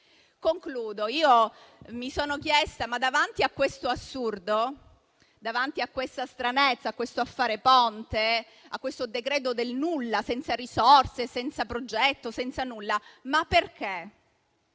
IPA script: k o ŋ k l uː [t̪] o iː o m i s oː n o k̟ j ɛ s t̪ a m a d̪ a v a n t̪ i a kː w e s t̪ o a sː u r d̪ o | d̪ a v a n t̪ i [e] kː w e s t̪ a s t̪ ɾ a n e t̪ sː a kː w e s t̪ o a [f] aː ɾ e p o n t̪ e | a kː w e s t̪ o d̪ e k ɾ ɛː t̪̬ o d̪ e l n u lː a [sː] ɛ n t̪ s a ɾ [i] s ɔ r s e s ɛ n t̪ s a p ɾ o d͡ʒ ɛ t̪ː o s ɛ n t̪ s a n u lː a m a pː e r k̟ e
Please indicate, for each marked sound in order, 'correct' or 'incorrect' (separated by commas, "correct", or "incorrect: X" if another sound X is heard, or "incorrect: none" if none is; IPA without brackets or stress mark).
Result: incorrect: d̪, incorrect: a, incorrect: fː, incorrect: s, correct